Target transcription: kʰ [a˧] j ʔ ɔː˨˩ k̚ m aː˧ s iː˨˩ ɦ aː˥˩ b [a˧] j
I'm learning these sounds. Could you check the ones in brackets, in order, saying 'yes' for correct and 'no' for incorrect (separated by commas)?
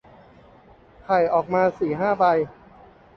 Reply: no, yes